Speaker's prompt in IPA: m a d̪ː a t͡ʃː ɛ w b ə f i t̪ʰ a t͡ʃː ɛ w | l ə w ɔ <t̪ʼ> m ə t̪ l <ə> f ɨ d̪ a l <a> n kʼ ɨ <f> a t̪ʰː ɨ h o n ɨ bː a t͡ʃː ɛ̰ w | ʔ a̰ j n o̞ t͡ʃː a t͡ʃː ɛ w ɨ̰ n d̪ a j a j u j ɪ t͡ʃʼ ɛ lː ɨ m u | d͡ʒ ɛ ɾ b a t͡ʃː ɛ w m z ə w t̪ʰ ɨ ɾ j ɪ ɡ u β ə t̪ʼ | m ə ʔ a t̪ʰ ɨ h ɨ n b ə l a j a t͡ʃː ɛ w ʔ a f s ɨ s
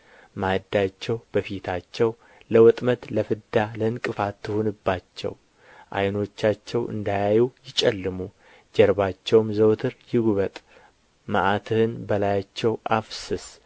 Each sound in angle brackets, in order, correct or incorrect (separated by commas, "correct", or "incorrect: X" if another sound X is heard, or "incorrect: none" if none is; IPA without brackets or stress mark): correct, correct, incorrect: ə, correct